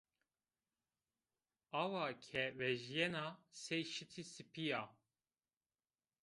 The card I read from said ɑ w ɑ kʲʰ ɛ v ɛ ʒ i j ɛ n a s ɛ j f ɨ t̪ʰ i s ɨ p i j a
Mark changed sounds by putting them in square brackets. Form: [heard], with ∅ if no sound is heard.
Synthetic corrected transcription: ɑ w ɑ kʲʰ ɛ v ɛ ʒ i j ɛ n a s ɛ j [ʃ] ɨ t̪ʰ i s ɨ p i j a